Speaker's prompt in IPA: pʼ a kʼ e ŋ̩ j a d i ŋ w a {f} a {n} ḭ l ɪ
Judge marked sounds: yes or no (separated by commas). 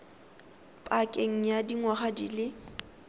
no, no